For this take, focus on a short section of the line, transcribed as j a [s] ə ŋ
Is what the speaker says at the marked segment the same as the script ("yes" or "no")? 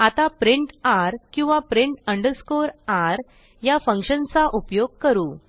no